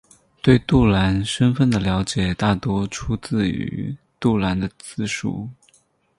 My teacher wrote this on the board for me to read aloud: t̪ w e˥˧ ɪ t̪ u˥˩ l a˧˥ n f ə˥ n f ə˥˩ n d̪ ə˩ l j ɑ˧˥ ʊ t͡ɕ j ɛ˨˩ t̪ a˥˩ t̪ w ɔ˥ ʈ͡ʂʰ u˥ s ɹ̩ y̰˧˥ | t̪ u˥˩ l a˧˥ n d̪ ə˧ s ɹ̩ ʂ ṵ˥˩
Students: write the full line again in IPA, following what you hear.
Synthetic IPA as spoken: t̪ w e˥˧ ɪ t̪ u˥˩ l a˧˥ n ʂ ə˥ n f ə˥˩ n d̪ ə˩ l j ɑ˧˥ ʊ t͡ɕ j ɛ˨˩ t̪ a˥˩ t̪ w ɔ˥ ʈ͡ʂʰ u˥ t͡s ɹ̩ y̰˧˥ | t̪ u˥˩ l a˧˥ n d̪ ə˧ t͡s ɹ̩ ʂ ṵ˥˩